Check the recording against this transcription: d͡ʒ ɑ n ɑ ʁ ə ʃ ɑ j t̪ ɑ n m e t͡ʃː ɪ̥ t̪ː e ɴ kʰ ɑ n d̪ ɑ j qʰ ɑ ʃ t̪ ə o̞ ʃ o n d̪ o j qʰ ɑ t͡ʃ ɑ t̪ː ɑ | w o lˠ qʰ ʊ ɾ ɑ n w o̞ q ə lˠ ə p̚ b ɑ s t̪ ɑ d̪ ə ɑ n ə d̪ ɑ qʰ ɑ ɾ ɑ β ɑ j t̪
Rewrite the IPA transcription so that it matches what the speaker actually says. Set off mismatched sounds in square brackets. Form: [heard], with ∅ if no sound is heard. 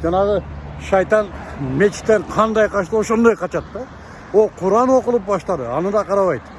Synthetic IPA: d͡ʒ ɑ n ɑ ʁ ə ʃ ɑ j t̪ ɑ n m e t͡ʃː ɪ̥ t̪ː e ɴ [qʰ] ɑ n d̪ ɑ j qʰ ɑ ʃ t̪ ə o̞ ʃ o n d̪ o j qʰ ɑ t͡ʃ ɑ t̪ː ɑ | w o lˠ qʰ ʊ ɾ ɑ n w o̞ q ə lˠ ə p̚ b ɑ [ʃ] t̪ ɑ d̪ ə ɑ n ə d̪ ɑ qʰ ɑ ɾ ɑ β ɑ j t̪